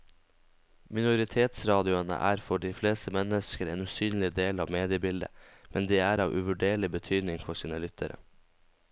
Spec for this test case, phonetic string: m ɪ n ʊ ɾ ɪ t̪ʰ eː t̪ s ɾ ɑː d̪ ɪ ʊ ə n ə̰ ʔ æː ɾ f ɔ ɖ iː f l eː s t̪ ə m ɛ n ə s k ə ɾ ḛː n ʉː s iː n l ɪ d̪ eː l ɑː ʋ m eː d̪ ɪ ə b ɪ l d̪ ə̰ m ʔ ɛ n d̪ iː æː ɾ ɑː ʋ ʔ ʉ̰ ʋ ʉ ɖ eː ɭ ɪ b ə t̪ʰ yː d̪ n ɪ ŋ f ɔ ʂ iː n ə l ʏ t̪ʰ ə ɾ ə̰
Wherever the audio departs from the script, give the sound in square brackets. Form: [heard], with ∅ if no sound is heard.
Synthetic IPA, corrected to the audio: m ɪ n ʊ ɾ ɪ t̪ʰ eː t̪ s ɾ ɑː d̪ ɪ ʊ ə n ə̰ ʔ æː ɾ f ɔ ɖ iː f l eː s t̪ ə m ɛ n ə s k ə ɾ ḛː n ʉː s [yː] n l ɪ d̪ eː l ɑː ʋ m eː d̪ ɪ ə b ɪ l d̪ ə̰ m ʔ ɛ n d̪ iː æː ɾ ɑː ʋ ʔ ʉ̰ ʋ ʉ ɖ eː ɭ ɪ b ə t̪ʰ yː d̪ n ɪ ŋ f ɔ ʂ iː n ə l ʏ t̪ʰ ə ɾ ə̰